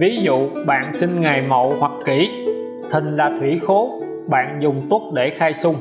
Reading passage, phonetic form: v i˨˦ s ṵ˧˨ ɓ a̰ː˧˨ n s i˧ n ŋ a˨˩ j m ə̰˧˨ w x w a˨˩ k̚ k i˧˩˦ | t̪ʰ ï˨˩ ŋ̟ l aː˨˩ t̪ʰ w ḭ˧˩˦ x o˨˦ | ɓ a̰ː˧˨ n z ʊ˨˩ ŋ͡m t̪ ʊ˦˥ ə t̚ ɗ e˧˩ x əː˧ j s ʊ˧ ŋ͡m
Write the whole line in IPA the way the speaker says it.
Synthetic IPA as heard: v i˨˦ z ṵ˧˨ ɓ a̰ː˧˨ n s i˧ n ŋ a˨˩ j m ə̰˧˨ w h w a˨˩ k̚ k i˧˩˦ | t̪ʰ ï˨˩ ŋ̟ l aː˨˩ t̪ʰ w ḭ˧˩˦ x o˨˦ | ɓ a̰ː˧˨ n z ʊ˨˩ ŋ͡m t̪ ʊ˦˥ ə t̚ ɗ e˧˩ x aː˧ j s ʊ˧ ŋ͡m